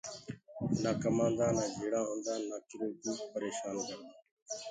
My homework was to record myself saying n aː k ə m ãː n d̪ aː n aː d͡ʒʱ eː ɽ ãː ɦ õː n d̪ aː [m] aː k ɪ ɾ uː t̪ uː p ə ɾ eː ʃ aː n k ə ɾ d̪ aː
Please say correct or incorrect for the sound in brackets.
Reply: incorrect